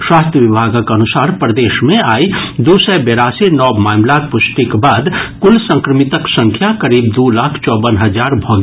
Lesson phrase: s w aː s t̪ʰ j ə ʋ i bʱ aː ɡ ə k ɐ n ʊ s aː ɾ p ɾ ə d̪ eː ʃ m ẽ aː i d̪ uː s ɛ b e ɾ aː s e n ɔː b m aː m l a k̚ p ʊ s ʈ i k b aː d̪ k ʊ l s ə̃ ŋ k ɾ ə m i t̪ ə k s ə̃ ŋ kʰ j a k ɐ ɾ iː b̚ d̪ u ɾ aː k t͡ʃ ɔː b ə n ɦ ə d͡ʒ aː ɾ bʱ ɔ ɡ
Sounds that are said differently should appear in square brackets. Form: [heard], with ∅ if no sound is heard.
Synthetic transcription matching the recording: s w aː s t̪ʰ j ə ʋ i bʱ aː ɡ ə k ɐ n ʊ s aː ɾ p ɾ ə d̪ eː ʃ m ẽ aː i d̪ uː s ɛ b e ɾ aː s e n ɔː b m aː m l a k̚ p ʊ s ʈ i k b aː d̪ k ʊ l s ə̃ ŋ k ɾ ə m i t̪ ə k s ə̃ ŋ kʰ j a k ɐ ɾ iː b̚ d̪ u [l] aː [kʰ] t͡ʃ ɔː b ə n ɦ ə d͡ʒ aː ɾ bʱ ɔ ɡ

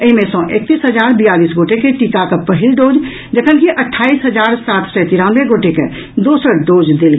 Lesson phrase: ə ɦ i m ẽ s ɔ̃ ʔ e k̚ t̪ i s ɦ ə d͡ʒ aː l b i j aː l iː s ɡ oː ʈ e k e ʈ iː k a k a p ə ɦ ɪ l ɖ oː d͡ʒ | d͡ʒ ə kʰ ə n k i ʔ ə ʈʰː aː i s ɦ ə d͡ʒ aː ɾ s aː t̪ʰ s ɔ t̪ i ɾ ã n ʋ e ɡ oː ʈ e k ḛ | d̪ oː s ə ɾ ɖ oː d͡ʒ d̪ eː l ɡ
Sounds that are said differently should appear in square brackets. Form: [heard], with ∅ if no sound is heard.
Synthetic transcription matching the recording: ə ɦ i m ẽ s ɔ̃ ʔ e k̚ t̪ i s ɦ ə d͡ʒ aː [ɾ] b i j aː l iː s ɡ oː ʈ e k e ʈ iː k a k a p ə ɦ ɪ l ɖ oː d͡ʒ | d͡ʒ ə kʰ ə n k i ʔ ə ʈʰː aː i s ɦ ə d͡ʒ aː ɾ s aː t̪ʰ s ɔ t̪ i ɾ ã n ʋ e ɡ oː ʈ e k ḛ | d̪ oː s ə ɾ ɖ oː d͡ʒ d̪ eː l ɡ

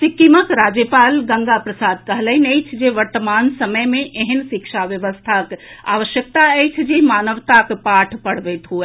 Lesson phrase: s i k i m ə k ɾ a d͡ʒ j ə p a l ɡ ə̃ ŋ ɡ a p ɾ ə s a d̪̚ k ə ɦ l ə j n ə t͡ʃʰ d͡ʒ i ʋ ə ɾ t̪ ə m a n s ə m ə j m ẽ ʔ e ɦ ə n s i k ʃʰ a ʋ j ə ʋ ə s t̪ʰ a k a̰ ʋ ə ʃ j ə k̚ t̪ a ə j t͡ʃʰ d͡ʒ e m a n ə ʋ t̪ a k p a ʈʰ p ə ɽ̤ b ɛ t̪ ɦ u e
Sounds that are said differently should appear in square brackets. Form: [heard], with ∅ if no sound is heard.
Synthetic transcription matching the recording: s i k i m ə k ɾ a d͡ʒ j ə p a l ɡ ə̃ ŋ ɡ a p ɾ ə s a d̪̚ k ə ɦ l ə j n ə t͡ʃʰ d͡ʒ [e] ʋ ə ɾ t̪ ə m a n s ə m ə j m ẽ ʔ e ɦ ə n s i k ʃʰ a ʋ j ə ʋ ə s t̪ʰ a k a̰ ʋ ə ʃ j ə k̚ t̪ a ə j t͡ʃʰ d͡ʒ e m a n ə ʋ t̪ a k p a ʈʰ p ə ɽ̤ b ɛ t̪ ɦ u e

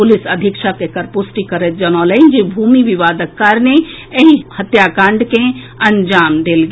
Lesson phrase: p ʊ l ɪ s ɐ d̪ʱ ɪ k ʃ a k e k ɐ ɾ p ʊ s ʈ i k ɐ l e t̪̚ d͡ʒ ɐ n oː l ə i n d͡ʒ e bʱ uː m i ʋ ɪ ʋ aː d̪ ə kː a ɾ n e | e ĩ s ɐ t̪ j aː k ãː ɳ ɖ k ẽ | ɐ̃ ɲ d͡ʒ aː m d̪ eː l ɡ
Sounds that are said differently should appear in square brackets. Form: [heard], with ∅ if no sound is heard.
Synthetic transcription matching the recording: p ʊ l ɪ s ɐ d̪ʱ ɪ k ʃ a k e k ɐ ɾ p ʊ s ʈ i k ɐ [ɾ] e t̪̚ d͡ʒ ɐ n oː l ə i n d͡ʒ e bʱ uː m i ʋ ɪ ʋ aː d̪ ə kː a ɾ n e | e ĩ [h] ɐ t̪ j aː k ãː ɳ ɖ k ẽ | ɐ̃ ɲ d͡ʒ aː m d̪ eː l ɡ

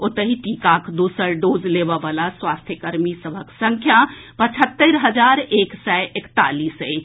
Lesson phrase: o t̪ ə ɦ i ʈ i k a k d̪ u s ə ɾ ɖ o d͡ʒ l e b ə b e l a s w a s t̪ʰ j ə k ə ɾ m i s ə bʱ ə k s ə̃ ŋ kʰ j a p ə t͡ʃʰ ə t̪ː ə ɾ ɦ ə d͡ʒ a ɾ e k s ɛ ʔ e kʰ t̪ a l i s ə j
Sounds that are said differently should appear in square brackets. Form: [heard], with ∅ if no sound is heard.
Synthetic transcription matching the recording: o t̪ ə ɦ i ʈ i k a k d̪ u s ə ɾ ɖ o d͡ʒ l e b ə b [a] l a s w a s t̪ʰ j ə k ə ɾ m i s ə bʱ ə k s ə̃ ŋ kʰ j a p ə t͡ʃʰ ə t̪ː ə ɾ ɦ ə d͡ʒ a ɾ e k s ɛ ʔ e [k] t̪ a l i s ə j

